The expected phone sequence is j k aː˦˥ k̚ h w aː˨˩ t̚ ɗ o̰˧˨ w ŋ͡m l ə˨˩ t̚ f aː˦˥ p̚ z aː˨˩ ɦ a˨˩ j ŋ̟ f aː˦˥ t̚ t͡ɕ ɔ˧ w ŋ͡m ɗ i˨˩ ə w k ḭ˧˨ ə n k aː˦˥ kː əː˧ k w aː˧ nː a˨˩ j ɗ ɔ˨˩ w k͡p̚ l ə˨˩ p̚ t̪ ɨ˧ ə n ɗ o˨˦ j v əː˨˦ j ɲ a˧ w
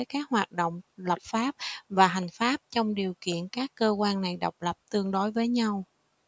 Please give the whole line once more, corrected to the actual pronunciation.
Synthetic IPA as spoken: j k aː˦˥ k̚ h w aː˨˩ t̚ ɗ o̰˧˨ w ŋ͡m l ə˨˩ p̚ f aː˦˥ p̚ v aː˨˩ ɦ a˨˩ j ŋ̟ f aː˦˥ p̚ t͡ɕ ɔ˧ w ŋ͡m ɗ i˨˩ ə w k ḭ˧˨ ə n k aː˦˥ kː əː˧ k w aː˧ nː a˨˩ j ɗ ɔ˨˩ w k͡p̚ l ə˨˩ p̚ t̪ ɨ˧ ə ŋ ɗ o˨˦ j v əː˨˦ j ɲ a˧ w